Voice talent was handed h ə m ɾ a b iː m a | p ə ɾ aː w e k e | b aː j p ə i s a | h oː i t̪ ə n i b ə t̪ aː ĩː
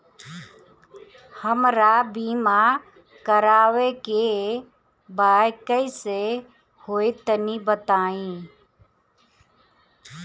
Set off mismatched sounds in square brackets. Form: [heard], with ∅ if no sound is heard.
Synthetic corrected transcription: h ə m ɾ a b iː m a | [k] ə ɾ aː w e k e | b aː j [k] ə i s [e] | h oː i t̪ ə n i b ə t̪ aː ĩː